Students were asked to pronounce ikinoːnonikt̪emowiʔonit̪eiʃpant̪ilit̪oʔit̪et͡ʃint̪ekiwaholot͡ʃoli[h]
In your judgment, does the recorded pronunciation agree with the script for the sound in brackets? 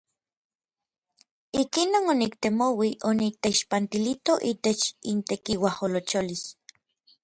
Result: no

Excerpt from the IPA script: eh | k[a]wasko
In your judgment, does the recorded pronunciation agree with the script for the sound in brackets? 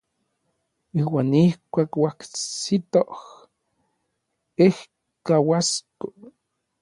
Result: yes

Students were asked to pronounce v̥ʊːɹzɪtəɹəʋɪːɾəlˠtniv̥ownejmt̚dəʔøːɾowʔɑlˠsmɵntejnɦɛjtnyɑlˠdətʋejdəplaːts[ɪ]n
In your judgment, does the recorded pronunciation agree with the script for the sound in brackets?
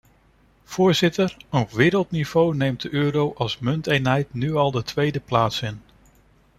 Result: yes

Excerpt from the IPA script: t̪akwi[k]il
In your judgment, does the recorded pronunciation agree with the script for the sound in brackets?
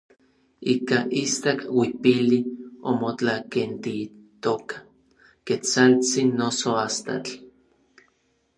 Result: no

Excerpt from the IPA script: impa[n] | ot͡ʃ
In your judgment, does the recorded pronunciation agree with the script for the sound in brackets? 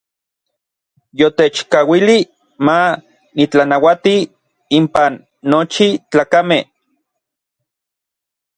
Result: no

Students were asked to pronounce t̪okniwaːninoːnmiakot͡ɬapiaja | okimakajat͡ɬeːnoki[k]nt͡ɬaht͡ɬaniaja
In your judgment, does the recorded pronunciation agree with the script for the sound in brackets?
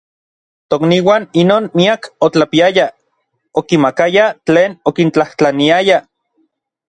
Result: no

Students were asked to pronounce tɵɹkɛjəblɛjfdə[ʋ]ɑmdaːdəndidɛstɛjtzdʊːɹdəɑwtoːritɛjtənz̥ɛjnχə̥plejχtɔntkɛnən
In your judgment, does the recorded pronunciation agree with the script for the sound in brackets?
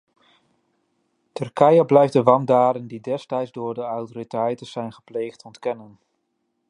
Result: yes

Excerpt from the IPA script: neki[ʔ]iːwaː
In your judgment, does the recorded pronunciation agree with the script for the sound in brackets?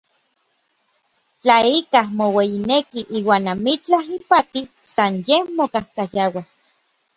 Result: yes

